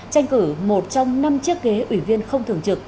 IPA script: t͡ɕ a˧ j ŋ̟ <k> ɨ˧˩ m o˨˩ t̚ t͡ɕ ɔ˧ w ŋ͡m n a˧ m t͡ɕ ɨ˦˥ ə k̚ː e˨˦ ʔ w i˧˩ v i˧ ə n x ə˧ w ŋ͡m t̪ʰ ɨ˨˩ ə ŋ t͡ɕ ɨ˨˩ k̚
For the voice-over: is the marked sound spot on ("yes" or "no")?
yes